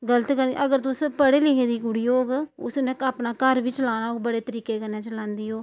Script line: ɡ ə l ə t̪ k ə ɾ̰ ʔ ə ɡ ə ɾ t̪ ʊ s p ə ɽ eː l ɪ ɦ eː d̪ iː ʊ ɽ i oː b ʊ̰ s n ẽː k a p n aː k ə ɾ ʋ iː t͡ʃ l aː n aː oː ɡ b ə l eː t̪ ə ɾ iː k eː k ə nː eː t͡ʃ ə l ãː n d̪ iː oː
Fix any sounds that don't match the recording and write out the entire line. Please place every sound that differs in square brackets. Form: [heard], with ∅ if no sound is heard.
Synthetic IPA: ɡ ə l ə t̪ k ə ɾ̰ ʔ ə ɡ ə ɾ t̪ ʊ s p ə ɽ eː l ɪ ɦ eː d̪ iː ʊ ɽ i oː [ɡ] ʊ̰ s n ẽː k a p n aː k ə ɾ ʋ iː t͡ʃ l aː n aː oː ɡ b ə [ɽ] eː t̪ ə ɾ iː k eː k ə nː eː t͡ʃ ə l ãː n d̪ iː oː